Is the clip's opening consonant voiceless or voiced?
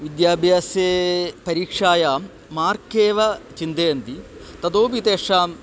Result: voiced